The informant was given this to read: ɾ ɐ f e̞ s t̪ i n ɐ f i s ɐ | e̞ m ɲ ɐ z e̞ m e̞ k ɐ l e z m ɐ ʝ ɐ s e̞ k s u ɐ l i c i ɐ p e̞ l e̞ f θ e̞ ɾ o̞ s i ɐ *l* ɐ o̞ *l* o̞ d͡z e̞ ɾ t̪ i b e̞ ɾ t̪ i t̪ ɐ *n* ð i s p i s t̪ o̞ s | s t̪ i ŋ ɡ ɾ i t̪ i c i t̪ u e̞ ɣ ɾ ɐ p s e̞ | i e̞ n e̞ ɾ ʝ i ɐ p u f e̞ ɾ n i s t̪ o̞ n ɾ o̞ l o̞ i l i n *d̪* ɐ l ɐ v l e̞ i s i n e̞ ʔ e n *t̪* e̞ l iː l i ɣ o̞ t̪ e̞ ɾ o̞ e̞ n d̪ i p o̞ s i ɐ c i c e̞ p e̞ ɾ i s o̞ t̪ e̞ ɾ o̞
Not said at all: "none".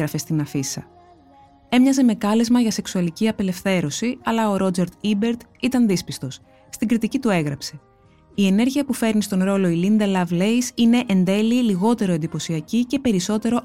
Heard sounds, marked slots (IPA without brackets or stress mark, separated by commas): l, ɾ, n, d̪, d̪